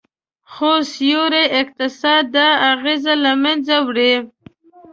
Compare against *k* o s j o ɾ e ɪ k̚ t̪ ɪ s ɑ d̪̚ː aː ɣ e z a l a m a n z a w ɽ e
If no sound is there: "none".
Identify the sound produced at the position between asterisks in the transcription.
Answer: x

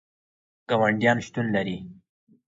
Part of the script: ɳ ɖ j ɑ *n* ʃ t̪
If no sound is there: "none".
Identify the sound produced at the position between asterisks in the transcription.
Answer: n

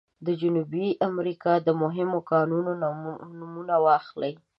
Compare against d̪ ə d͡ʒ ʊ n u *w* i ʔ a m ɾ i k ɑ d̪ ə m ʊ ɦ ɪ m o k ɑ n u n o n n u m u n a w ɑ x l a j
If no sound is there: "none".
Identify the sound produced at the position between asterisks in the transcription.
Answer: b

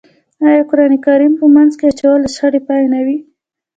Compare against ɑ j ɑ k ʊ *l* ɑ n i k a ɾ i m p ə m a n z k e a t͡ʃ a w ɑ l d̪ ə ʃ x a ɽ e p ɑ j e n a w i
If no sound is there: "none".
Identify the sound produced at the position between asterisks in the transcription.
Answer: ɾ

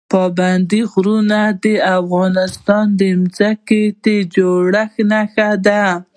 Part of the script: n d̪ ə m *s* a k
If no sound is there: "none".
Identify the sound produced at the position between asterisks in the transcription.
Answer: z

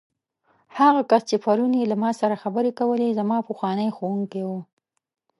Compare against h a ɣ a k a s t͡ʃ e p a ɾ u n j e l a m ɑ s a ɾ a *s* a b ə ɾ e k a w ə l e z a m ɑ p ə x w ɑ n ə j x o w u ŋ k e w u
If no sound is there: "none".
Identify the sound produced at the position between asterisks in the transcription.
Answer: x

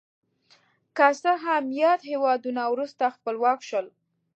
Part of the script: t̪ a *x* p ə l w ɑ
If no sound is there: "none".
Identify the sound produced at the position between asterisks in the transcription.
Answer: x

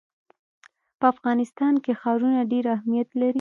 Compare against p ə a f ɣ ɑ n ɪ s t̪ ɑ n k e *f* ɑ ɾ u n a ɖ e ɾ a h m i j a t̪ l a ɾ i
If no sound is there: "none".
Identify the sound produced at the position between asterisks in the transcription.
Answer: x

